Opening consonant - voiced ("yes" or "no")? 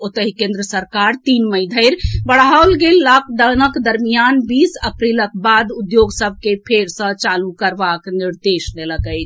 no